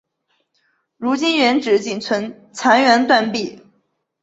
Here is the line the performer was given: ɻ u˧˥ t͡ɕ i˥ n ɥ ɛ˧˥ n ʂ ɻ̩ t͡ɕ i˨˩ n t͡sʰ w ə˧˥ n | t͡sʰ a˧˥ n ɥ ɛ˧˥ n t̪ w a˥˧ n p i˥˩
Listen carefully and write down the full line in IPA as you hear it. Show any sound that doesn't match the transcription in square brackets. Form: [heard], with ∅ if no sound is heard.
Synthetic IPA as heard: ɻ u˧˥ t͡ɕ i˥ n ɥ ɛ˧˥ n [ʈ͡ʂ] ɻ̩ t͡ɕ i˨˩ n t͡sʰ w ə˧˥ n | t͡sʰ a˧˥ n ɥ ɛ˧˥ n t̪ w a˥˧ n p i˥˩